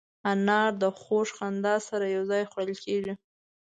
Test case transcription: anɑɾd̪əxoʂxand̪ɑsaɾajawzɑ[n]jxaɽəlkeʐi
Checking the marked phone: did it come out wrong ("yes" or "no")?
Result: yes